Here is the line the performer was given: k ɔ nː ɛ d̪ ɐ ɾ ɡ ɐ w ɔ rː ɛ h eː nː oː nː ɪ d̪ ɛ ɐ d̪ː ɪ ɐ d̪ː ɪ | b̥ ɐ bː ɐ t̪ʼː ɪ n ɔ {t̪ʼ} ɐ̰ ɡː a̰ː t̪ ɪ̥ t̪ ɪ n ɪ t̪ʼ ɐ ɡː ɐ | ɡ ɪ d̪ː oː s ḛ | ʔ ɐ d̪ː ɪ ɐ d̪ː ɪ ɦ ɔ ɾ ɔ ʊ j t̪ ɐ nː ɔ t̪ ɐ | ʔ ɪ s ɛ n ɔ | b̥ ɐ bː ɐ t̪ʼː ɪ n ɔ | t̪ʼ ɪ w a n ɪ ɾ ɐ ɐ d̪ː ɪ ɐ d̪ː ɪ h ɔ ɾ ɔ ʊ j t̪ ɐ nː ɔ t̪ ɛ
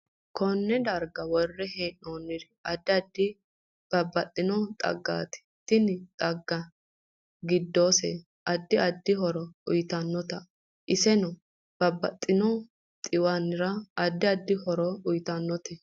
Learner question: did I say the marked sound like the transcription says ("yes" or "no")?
yes